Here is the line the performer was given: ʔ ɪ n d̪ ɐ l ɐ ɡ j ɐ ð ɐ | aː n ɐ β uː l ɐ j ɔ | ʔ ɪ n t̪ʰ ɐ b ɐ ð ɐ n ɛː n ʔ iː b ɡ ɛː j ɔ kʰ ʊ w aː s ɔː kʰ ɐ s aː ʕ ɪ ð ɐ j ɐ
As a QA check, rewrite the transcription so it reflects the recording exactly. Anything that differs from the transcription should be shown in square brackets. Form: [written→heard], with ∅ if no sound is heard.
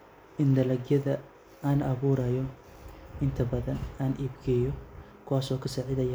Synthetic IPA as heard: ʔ ɪ n d̪ ɐ l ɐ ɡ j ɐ ð ɐ | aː n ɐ β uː [l→ɾ] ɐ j ɔ | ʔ ɪ n t̪ʰ ɐ b ɐ ð ɐ n [ɛː→aː] n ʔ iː b ɡ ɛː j ɔ kʰ ʊ w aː s ɔː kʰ ɐ s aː ʕ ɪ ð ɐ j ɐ